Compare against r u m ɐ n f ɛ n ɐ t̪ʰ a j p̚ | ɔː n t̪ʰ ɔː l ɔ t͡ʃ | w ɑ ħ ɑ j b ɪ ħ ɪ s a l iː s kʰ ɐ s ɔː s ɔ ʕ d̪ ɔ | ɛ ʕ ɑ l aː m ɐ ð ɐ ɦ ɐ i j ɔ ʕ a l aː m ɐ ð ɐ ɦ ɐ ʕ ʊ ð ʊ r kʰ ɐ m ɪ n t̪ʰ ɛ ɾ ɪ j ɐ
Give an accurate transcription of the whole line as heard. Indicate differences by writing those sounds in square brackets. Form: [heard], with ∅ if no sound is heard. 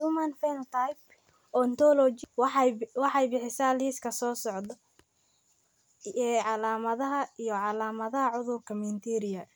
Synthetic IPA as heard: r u m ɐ n f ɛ n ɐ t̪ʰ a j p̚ | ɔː n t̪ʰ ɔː l ɔ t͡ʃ | w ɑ ħ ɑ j b ɪ ħ ɪ s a l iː s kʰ ɐ s ɔː s ɔ ʕ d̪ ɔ | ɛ ʕ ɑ l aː m ɐ ð ɐ ɦ ɐ i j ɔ ʕ [ɑ] l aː m ɐ ð ɐ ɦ ɐ ʕ ʊ ð ʊ r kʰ ɐ m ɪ n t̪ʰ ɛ ɾ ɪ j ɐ